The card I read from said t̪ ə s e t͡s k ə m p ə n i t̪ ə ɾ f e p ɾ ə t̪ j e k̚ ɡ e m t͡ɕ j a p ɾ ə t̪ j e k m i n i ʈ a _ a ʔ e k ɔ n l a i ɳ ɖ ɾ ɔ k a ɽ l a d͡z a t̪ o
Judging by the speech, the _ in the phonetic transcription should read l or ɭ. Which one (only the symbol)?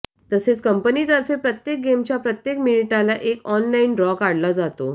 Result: l